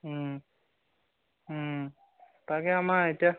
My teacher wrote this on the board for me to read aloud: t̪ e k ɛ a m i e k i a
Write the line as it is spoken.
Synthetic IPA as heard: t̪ a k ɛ a m a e t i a